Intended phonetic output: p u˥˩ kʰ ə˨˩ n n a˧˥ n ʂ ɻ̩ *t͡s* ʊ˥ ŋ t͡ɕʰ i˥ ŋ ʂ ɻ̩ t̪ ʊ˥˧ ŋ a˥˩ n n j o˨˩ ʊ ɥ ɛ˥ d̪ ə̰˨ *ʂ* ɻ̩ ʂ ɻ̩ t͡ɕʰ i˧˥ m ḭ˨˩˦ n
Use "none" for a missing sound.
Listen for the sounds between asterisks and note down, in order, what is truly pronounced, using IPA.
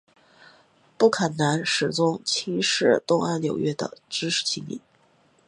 t͡s, ʈ͡ʂ

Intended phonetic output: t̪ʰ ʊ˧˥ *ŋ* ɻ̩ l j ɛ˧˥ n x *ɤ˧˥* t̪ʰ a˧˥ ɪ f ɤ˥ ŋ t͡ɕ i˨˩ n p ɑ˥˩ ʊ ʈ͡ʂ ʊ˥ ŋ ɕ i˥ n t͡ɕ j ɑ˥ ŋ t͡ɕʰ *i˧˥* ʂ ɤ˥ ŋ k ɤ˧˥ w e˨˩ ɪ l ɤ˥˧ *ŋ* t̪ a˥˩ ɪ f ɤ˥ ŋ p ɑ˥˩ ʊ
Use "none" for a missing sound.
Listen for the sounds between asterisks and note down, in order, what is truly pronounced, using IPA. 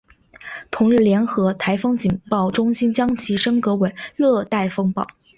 ŋ, ɤ˧˥, i˧˥, none

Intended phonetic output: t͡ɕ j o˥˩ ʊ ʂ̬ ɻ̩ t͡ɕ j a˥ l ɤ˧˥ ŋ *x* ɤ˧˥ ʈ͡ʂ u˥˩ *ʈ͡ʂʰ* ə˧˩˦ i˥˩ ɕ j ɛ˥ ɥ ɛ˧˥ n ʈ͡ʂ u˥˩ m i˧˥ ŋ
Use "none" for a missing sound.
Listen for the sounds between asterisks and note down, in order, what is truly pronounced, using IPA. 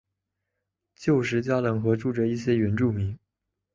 x, ʈ͡ʂ

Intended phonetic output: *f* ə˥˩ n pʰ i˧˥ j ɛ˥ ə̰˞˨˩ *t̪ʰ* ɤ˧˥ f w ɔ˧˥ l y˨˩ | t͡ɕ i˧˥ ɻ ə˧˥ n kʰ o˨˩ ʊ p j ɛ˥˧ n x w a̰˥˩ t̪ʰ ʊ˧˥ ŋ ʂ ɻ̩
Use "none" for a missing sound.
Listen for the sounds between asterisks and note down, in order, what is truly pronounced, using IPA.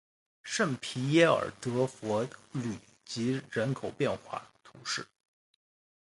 ʂ, t̪

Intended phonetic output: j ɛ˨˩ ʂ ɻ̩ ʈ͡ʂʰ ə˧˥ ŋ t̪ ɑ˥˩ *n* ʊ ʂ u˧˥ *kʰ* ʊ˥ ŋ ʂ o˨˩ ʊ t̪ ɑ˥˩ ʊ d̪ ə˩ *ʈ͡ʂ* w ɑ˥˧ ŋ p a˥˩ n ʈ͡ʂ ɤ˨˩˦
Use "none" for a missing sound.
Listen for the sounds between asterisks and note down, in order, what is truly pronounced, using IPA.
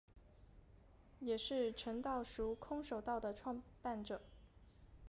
none, kʰ, ʈ͡ʂʰ

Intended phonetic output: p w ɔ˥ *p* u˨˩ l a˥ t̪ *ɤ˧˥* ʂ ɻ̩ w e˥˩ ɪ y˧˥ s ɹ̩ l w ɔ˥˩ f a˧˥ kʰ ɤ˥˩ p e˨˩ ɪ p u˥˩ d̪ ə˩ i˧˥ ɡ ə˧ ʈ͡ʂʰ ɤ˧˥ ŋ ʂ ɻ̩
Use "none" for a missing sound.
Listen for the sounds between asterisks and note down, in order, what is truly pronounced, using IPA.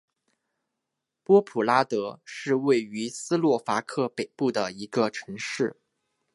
pʰ, ɤ˧˥

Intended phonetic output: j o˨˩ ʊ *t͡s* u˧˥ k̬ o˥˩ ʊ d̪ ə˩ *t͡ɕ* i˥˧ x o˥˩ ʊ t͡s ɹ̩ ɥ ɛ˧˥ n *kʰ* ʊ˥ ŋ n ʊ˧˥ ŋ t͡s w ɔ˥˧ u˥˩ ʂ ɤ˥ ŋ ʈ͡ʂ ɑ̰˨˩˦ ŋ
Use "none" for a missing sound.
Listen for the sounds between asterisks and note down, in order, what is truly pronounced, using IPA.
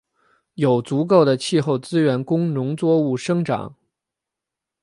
t͡s, t͡ɕʰ, k

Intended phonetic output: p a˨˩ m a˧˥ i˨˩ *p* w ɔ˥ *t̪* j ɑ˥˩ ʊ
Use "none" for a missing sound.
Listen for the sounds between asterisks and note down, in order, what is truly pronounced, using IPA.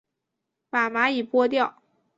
p, t̪

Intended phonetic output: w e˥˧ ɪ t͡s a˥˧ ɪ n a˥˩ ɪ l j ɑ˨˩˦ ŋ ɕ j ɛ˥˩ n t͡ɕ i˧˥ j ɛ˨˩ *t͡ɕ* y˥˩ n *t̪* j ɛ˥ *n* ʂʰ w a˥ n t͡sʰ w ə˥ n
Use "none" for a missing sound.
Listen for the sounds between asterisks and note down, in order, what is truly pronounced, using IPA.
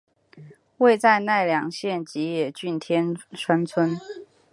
t͡ɕ, t̪ʰ, n

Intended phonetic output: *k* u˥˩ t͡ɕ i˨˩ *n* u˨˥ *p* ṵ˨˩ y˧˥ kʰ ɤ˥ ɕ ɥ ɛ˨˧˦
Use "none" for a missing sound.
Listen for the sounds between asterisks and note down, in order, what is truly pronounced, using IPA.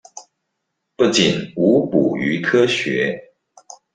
p, n, p

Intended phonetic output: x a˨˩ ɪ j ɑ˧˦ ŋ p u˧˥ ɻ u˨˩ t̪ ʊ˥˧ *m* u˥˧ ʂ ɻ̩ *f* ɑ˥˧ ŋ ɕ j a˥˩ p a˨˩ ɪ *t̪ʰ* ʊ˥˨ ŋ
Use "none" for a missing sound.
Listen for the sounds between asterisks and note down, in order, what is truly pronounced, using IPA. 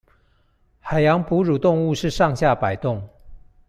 ŋ, ʂ, t̪

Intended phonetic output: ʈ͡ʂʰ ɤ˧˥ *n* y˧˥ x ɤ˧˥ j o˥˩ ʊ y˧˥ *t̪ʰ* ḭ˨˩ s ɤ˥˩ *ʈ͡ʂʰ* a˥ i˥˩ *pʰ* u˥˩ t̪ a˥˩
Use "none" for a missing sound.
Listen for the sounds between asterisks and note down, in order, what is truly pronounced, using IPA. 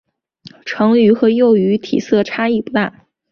ŋ, t̪ʰ, ʈ͡ʂʰ, p

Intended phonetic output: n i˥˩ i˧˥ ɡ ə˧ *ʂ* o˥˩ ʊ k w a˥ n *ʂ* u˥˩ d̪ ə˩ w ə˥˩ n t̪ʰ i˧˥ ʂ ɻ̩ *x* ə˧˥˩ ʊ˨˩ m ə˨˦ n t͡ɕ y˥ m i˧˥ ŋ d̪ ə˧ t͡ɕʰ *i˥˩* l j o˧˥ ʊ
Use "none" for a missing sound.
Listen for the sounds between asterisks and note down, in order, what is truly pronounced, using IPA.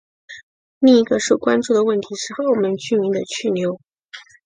ʂ, ʈ͡ʂ, x, y˥˩

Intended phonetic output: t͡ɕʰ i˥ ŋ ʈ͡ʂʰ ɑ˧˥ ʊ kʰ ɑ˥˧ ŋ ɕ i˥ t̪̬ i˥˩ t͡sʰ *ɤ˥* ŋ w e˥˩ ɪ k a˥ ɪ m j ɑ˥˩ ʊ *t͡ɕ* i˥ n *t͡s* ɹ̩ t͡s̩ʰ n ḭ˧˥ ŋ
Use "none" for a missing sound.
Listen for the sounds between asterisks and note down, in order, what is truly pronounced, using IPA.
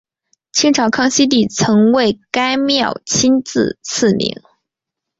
ɤ˧˥, t͡ɕʰ, t͡s

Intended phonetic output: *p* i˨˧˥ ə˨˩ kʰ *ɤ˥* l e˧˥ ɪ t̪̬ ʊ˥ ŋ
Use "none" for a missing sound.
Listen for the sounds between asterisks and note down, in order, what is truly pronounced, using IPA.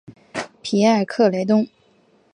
pʰ, ɤ˥˩

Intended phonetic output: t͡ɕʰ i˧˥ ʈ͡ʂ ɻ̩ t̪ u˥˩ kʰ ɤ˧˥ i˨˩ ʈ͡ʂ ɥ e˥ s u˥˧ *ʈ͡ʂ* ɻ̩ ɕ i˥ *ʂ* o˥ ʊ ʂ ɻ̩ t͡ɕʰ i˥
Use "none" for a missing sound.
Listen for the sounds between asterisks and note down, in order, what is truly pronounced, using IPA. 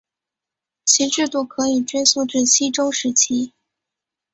ʈ͡ʂ, ʈ͡ʂ

